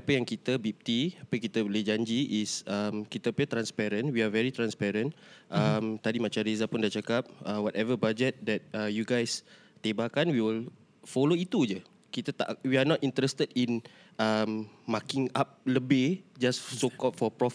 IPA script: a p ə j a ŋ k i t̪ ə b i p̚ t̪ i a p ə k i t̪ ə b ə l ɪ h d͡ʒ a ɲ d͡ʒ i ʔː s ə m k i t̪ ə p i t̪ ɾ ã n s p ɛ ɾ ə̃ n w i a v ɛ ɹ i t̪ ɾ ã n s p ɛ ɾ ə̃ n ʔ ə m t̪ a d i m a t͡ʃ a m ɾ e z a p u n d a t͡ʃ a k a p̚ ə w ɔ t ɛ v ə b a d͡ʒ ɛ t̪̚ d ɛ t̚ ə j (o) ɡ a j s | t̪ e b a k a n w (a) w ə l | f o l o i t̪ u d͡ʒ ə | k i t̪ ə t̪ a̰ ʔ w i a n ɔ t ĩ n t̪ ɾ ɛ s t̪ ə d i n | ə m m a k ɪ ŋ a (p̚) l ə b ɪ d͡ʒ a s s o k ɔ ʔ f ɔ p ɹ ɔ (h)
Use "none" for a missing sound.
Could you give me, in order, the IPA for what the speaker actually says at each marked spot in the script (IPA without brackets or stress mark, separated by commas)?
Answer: u, i, p̚, f